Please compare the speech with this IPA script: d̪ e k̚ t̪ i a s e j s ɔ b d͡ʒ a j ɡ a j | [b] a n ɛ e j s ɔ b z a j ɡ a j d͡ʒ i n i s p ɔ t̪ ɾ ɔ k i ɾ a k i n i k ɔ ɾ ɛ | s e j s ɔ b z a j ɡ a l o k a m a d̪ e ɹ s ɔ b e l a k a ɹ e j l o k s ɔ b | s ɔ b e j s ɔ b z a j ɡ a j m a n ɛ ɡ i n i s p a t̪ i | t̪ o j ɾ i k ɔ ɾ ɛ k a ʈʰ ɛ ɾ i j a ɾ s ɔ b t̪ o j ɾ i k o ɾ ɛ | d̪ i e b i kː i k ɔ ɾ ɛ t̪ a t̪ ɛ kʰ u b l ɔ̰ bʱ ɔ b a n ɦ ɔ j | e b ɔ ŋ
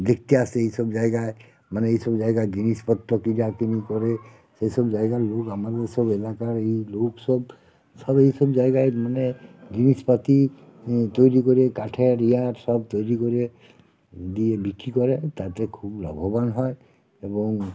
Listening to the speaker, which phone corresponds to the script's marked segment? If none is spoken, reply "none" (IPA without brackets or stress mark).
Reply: m